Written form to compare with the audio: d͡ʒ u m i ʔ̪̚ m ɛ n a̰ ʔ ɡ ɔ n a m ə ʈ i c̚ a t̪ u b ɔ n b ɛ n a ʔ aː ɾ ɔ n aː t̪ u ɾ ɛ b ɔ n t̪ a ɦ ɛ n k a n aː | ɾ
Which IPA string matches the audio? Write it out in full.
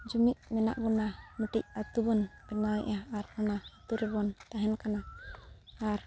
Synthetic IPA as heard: d͡ʒ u m i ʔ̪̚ m ɛ n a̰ ʔ ɡ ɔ n a m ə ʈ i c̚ a t̪ u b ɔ n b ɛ n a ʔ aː ɾ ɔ n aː t̪ u ɾ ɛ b ɔ n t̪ a ɦ ɛ n k a n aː | ɾ